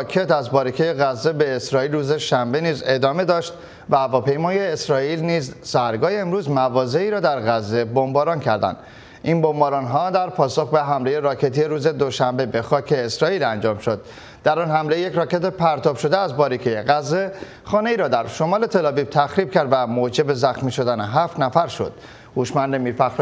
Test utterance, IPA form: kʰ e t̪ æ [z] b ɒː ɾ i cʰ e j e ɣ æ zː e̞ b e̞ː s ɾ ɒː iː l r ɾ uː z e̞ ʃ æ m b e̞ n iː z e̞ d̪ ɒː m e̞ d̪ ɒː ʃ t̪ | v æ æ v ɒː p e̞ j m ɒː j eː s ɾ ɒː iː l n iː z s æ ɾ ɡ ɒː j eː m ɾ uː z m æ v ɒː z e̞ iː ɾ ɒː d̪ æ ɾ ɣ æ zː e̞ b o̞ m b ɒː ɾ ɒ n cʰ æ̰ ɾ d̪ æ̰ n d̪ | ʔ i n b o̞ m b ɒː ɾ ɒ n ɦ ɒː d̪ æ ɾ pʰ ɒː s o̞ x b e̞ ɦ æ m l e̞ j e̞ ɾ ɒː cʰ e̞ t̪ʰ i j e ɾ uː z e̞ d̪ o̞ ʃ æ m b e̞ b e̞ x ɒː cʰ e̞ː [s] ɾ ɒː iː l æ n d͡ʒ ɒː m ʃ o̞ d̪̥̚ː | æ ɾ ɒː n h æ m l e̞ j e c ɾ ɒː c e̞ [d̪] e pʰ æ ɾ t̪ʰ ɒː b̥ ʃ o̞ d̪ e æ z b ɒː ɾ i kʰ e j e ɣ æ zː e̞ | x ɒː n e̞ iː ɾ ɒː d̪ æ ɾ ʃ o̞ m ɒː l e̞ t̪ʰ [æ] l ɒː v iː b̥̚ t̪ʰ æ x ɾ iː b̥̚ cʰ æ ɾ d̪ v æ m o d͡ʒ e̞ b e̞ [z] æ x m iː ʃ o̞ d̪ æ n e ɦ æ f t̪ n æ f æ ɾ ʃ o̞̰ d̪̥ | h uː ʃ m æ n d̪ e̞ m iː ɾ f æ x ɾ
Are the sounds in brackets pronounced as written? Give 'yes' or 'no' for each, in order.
yes, yes, no, no, yes

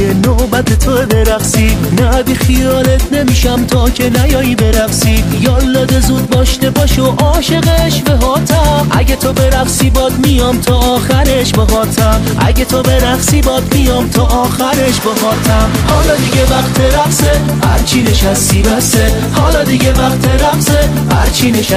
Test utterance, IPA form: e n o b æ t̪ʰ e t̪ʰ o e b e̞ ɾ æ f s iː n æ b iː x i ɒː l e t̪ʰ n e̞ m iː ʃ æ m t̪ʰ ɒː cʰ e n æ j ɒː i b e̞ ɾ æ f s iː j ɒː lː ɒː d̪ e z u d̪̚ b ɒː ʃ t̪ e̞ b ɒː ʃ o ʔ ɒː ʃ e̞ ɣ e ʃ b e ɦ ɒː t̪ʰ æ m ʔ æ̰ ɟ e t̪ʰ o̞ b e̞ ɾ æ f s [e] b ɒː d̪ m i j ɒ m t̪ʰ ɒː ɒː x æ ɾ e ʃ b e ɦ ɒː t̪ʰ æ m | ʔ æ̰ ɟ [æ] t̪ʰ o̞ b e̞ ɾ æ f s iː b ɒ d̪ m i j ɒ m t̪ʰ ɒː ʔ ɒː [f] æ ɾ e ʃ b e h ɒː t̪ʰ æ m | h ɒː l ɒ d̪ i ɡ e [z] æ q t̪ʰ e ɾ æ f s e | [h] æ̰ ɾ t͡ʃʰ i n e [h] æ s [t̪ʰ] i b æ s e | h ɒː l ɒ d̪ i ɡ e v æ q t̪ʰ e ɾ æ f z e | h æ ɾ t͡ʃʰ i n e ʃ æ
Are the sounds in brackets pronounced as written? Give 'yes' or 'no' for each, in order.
no, no, no, no, yes, no, no

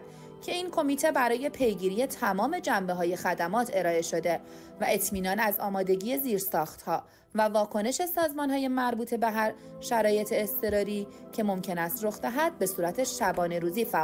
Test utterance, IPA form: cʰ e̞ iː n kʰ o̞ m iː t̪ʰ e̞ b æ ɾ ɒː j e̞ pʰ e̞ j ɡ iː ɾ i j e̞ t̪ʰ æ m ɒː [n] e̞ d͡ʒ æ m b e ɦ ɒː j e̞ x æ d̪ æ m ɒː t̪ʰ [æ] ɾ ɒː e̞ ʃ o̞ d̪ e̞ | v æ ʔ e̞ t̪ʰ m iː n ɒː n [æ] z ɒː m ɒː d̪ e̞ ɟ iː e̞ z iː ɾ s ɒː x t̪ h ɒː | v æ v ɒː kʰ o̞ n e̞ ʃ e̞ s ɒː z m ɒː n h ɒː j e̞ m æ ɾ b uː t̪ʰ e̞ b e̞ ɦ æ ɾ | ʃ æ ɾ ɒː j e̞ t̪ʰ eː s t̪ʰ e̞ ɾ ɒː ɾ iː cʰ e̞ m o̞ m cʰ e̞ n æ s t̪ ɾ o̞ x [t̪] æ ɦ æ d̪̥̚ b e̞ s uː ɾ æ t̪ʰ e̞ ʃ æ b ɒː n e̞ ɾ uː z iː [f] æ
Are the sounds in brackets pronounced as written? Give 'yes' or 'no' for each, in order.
no, no, yes, no, yes

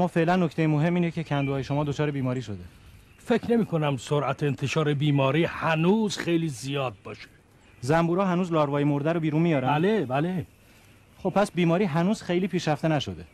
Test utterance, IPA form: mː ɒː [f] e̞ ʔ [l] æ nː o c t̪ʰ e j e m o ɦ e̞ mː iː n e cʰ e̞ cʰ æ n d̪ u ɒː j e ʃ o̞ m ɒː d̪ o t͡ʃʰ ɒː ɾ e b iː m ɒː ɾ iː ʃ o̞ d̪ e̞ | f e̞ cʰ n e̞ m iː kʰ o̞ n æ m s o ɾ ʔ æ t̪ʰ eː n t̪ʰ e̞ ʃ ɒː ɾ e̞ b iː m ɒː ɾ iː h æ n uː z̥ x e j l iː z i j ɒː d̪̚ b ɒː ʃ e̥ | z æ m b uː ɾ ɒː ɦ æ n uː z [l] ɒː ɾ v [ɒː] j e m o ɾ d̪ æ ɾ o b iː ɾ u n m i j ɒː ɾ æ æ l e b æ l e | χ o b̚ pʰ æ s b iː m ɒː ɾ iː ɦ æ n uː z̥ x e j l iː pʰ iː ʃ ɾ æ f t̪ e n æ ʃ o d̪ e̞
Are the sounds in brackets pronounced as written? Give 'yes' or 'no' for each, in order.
yes, yes, yes, yes

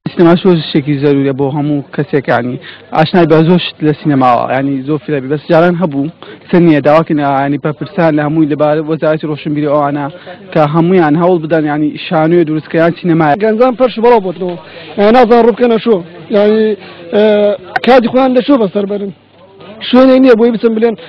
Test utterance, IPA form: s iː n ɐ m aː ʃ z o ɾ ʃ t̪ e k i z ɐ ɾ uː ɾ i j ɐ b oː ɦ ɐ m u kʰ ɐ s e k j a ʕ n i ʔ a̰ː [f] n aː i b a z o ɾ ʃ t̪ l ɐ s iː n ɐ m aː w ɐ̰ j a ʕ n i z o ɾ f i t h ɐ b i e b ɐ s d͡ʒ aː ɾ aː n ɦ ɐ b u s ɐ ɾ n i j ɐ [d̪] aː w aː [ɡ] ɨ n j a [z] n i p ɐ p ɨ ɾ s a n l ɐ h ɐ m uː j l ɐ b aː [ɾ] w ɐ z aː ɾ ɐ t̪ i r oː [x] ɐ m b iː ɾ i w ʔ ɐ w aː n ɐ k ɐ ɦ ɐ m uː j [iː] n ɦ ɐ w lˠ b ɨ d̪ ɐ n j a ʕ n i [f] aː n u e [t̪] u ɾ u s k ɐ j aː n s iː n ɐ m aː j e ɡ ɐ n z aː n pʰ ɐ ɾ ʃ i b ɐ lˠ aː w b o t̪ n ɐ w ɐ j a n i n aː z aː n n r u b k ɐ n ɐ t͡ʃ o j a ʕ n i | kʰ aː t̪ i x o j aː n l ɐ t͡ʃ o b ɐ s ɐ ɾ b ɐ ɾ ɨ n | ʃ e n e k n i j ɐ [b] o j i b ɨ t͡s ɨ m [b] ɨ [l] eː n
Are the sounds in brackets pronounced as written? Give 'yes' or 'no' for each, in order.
no, yes, no, no, yes, no, no, no, no, yes, yes, yes

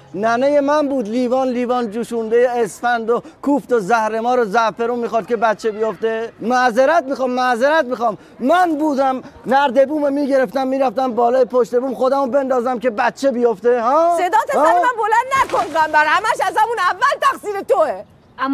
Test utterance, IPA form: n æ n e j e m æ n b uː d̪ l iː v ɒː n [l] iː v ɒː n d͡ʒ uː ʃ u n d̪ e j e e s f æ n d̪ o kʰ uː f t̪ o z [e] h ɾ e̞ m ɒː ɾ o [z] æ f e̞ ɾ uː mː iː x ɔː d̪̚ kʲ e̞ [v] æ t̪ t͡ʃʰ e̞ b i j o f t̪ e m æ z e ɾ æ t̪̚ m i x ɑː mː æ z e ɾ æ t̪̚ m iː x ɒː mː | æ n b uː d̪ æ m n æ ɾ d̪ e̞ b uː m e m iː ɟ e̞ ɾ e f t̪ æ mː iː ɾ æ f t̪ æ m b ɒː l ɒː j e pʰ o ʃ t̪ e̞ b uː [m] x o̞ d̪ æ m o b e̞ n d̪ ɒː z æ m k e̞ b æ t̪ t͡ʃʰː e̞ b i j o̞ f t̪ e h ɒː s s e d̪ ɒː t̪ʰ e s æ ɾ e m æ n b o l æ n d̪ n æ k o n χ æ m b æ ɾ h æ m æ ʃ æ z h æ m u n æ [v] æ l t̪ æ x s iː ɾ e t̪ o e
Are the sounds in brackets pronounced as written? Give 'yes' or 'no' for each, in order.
yes, no, yes, no, yes, no

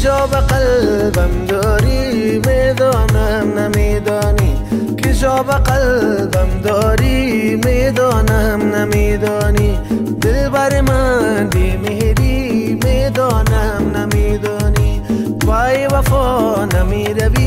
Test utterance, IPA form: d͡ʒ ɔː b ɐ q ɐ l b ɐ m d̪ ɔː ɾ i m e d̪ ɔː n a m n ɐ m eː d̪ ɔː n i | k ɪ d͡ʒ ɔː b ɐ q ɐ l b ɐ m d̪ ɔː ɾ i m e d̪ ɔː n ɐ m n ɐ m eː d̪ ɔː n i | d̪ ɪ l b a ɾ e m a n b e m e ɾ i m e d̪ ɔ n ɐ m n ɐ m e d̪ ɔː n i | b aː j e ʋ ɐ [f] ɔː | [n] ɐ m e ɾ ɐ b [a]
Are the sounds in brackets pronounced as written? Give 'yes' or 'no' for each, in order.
yes, yes, no

